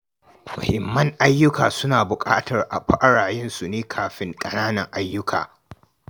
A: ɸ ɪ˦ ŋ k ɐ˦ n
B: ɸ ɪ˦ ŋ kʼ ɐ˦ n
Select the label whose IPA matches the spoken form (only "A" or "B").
B